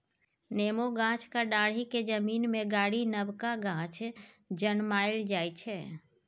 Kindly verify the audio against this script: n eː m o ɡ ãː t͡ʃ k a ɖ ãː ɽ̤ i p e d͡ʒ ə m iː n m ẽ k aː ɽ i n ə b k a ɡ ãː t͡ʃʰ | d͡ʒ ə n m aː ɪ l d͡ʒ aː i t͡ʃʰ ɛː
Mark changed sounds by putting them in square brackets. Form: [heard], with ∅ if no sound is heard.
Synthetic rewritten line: n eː m o ɡ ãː t͡ʃ k a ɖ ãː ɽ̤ i [k] e d͡ʒ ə m iː n m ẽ [ɡ] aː ɽ i n ə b k a ɡ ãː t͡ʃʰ | d͡ʒ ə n m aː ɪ l d͡ʒ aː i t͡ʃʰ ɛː